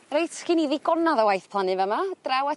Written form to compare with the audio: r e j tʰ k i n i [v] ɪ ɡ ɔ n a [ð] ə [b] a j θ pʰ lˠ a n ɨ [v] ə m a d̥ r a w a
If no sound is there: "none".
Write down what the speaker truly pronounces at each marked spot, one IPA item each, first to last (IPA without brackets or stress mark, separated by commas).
ð, ð, w, v